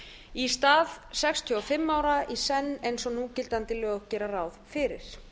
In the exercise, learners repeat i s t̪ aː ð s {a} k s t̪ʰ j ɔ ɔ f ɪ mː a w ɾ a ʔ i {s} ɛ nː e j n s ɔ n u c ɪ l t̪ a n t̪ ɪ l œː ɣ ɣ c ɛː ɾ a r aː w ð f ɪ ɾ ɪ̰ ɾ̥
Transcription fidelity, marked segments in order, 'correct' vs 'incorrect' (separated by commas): incorrect, correct